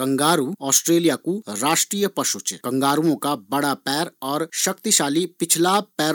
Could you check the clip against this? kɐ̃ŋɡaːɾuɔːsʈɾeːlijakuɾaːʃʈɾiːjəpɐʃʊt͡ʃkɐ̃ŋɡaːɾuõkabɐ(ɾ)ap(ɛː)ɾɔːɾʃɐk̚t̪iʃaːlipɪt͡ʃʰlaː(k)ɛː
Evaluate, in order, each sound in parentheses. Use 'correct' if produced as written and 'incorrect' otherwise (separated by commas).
incorrect, correct, incorrect